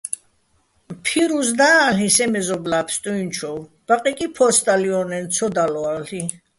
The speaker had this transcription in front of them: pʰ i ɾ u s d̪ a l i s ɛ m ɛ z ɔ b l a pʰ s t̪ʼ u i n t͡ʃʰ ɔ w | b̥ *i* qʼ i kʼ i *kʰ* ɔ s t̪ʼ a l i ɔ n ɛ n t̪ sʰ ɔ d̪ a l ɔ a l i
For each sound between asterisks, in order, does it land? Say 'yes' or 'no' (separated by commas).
no, no